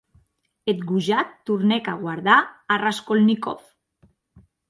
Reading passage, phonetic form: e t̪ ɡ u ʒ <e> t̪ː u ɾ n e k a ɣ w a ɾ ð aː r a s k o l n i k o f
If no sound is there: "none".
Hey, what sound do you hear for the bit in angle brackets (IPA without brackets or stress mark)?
a